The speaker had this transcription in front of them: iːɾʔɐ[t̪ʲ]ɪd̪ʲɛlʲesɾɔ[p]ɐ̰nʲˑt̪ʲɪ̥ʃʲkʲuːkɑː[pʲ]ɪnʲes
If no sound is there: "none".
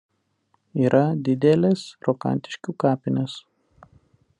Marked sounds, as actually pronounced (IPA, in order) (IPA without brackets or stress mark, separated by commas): d̪ʲ, k, pʲ